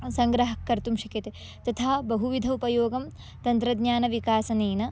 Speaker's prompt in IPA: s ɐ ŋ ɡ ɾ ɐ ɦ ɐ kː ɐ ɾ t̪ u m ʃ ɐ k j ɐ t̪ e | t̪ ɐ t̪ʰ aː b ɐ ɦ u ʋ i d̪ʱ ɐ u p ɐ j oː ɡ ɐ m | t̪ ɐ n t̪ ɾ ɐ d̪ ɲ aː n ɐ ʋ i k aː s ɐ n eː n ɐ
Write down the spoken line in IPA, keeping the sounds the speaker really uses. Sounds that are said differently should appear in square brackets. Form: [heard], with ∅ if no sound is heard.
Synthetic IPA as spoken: s ɐ ŋ ɡ ɾ ɐ ɦ ɐ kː ɐ ɾ t̪ u m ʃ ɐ k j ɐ t̪ e | t̪ ɐ t̪ʰ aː b ɐ ɦ u ʋ i d̪ʱ ɐ u p ɐ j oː ɡ ɐ m | t̪ ɐ n t̪ ɾ ɐ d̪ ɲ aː n ɐ ʋ i k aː s ɐ n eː n ɐ

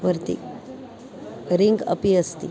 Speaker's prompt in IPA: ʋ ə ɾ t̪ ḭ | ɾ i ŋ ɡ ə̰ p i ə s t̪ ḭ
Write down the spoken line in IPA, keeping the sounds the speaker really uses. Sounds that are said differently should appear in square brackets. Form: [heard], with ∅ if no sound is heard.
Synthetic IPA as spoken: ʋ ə ɾ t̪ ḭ | ɾ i ŋ ɡ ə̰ p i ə s t̪ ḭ

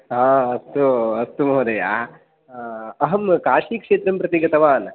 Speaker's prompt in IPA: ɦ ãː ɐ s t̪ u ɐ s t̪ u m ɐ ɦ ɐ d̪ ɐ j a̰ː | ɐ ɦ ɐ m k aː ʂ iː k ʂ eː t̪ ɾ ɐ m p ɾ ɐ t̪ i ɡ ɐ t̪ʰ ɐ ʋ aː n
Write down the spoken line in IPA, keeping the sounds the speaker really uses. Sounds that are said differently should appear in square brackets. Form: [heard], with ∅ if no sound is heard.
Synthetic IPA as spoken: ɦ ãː ɐ s t̪ u ɐ s t̪ u m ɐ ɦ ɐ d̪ ɐ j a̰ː | ɐ ɦ ɐ m k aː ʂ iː k ʂ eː t̪ ɾ ɐ m p ɾ ɐ t̪ i ɡ ɐ [t̪] ɐ ʋ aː n

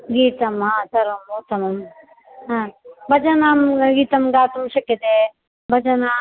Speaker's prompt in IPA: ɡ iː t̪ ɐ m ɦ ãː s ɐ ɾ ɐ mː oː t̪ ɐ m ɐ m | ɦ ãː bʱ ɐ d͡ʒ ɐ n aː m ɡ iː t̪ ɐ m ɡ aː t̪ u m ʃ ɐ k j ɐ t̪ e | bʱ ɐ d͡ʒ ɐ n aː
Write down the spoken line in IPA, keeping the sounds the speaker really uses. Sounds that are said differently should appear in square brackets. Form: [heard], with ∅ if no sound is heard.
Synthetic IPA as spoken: ɡ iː t̪ ɐ m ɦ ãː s ɐ ɾ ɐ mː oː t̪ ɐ m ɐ m | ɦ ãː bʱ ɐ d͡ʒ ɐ n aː m ɡ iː t̪ ɐ m ɡ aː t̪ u m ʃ ɐ k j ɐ t̪ e | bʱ ɐ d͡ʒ ɐ n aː

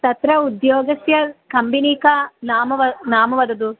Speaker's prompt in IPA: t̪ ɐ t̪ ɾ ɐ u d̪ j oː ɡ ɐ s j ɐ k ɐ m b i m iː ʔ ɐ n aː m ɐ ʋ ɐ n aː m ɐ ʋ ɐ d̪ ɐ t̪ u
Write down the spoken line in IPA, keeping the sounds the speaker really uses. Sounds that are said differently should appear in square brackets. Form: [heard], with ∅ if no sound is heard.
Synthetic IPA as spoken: t̪ ɐ t̪ ɾ ɐ u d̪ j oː ɡ ɐ s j ɐ k ɐ m b i [n] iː [k] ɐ n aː m ɐ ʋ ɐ n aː m ɐ ʋ ɐ d̪ ɐ [d̪] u

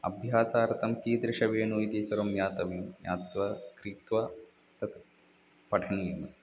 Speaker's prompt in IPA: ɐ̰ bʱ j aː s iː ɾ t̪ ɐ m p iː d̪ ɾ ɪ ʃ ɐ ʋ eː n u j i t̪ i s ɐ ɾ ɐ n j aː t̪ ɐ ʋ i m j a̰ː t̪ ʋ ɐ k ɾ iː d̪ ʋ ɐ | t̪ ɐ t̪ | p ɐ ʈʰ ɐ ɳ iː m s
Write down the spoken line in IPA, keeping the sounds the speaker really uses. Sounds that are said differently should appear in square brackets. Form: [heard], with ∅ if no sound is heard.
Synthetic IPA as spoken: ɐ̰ bʱ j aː s [aː] ɾ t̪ ɐ m [k] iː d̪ ɾ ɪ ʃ ɐ ʋ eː n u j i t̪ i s ɐ ɾ ɐ [m] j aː t̪ ɐ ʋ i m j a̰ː t̪ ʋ ɐ k ɾ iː [t̪] ʋ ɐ | t̪ ɐ t̪ | p ɐ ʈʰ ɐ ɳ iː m s

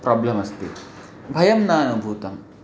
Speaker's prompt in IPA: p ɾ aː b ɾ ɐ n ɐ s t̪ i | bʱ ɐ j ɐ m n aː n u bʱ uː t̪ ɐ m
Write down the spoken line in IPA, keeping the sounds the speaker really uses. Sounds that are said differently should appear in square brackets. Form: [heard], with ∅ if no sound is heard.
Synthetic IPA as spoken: p ɾ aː b [l] ɐ [m] ɐ s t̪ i | bʱ ɐ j ɐ m n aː n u bʱ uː t̪ ɐ m

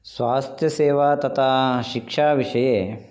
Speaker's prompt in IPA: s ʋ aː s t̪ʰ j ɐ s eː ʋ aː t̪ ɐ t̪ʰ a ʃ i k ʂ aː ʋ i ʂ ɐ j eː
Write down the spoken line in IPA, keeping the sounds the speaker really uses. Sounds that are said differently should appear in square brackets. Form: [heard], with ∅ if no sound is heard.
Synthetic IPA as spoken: s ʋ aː s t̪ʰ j ɐ s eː ʋ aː t̪ ɐ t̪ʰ a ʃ i k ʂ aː ʋ i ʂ ɐ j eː

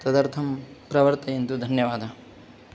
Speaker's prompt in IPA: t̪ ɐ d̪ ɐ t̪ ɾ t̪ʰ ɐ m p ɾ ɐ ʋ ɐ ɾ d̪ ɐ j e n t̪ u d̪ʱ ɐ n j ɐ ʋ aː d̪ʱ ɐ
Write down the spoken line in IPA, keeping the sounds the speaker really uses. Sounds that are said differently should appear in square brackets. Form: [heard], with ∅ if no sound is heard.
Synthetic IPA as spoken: t̪ ɐ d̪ ɐ [∅] ɾ t̪ʰ ɐ m p ɾ ɐ ʋ ɐ ɾ [t̪] ɐ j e n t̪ u d̪ʱ ɐ n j ɐ ʋ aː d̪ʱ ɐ

